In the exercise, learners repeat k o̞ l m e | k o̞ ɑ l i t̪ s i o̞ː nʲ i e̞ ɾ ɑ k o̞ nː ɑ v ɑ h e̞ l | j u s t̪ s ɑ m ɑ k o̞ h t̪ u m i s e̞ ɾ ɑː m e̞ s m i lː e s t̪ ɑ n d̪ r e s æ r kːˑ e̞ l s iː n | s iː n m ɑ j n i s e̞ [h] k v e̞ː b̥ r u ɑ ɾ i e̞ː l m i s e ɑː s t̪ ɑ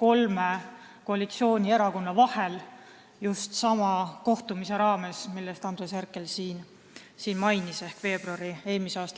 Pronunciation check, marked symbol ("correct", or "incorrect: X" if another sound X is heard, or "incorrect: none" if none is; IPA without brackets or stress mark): correct